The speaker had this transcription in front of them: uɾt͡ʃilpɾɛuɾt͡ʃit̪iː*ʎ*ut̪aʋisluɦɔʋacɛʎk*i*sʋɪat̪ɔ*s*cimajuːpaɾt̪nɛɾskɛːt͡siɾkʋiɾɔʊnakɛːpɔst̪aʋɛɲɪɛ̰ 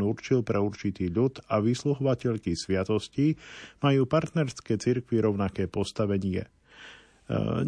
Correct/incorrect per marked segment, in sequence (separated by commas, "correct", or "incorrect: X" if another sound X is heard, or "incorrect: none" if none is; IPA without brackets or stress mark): correct, correct, correct